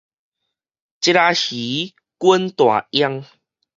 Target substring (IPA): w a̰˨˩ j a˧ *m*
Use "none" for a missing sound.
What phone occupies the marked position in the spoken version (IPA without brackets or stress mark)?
ŋ